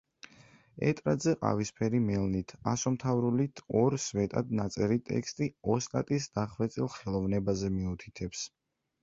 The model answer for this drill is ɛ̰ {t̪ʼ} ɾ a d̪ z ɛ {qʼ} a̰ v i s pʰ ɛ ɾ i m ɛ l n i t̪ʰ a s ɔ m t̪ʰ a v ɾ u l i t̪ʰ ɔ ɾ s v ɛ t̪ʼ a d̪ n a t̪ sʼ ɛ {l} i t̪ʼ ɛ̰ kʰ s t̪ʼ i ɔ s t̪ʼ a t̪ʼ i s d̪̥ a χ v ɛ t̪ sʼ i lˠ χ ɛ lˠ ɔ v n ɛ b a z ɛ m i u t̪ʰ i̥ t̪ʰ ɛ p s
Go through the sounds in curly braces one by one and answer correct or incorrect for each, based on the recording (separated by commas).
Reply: correct, correct, incorrect